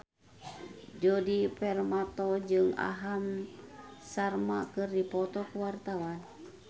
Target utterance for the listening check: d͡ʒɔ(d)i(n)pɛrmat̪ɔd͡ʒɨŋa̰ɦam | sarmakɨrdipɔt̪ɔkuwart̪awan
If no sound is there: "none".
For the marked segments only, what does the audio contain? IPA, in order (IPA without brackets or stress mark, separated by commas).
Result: d, none